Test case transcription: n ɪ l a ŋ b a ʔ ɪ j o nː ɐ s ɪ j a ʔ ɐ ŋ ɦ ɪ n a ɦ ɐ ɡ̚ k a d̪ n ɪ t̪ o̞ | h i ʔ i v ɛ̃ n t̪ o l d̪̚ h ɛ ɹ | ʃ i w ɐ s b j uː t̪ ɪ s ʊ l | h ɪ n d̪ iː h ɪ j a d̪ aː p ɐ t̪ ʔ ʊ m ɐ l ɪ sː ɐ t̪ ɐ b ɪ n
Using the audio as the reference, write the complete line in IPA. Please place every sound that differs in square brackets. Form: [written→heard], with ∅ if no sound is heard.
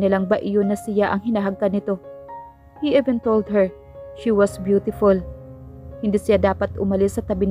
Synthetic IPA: n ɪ l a ŋ b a ʔ ɪ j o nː ɐ s ɪ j a ʔ ɐ ŋ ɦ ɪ n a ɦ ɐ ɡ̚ k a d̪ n ɪ t̪ o̞ | h i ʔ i v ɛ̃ n t̪ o l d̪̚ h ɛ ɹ | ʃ i w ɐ s b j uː t̪ ɪ [s→f] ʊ l | h ɪ n d̪ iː [h→s] ɪ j a d̪ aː p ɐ t̪ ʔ ʊ m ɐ l ɪ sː ɐ t̪ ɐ b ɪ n